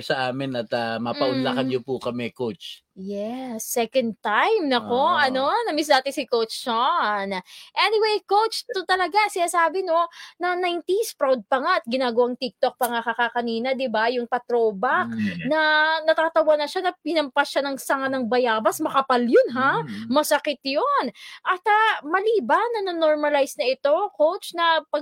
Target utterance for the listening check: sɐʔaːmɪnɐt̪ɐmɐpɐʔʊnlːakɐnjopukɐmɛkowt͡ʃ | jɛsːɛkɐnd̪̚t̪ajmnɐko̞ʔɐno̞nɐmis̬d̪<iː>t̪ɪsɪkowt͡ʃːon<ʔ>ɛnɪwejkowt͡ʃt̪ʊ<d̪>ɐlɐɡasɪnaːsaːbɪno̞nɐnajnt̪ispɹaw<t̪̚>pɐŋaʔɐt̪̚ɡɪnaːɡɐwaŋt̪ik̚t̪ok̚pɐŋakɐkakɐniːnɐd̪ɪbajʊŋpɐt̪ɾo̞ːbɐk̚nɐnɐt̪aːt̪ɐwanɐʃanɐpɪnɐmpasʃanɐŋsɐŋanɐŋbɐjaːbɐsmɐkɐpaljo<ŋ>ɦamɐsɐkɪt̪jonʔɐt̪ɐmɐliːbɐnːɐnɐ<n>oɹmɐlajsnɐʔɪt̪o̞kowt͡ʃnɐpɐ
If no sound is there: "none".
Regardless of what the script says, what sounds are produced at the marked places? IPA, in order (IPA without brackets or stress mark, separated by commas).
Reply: aː, ʔ, t̪, d̪̚, n, n